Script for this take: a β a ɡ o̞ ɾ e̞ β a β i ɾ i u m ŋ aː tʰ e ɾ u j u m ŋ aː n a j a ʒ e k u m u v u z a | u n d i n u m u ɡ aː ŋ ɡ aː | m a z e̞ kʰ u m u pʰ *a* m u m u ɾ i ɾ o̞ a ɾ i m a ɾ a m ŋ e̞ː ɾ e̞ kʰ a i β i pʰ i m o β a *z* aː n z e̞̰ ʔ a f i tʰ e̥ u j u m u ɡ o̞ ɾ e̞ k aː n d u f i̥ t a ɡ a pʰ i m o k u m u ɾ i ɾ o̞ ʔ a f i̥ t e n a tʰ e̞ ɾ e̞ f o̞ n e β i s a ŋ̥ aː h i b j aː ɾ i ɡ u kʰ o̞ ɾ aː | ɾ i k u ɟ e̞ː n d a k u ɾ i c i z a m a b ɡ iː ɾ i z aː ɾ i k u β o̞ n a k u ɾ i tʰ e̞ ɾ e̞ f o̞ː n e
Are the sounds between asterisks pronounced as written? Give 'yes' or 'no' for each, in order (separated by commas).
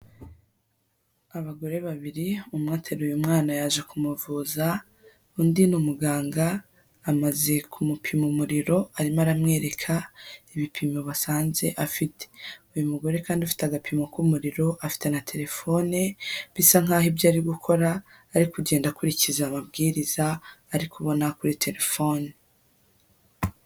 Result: no, no